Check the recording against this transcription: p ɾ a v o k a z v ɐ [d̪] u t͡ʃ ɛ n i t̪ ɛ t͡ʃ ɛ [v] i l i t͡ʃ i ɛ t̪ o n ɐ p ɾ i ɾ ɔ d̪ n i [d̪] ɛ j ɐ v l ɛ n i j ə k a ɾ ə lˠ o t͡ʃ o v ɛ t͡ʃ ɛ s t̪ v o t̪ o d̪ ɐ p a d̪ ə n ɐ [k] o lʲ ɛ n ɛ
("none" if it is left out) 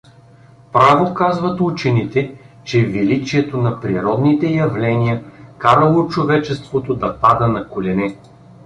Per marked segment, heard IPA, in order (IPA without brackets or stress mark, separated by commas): t̪, v, t̪, k